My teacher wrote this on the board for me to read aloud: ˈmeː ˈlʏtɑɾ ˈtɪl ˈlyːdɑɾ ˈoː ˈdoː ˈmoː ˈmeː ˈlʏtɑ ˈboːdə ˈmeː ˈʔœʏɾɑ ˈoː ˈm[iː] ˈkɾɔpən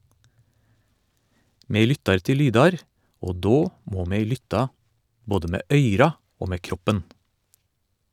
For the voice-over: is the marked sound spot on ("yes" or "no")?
no